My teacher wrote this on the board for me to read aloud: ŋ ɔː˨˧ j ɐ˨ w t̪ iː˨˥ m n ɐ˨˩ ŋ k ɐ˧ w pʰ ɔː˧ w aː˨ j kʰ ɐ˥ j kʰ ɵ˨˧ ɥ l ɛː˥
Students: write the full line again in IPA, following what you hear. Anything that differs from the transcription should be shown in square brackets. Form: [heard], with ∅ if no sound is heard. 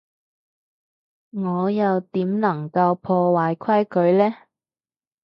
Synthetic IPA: ŋ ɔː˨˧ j ɐ˨ w t̪ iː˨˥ m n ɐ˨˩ ŋ k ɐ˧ w pʰ ɔː˧ w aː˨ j kʰ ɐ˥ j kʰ ɵ˨˧ ɥ l ɛː˥